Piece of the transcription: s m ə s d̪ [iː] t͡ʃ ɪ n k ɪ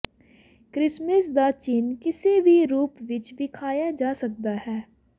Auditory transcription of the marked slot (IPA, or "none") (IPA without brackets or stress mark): aː